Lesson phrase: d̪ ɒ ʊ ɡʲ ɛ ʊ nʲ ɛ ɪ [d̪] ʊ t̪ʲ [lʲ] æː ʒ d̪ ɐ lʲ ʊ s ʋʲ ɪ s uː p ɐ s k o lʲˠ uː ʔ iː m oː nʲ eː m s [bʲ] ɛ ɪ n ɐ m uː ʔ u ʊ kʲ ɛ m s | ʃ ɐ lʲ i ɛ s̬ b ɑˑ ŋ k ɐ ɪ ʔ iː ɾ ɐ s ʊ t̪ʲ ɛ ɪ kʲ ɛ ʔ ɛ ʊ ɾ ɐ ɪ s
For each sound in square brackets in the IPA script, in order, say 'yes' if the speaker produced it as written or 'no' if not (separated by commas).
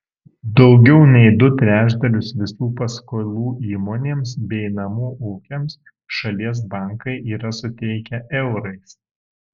yes, no, yes